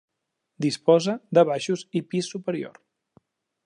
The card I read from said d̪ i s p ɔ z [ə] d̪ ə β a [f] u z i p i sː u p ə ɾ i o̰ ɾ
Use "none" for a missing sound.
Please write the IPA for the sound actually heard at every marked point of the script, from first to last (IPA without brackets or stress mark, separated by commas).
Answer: ə, ʃ